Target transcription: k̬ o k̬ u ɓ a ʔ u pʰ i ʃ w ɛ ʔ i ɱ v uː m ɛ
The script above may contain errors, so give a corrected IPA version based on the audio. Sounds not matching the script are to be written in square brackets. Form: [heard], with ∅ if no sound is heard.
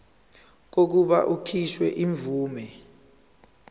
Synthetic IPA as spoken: k̬ o k̬ u ɓ a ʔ u [kʰ] i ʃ w ɛ ʔ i ɱ v uː m ɛ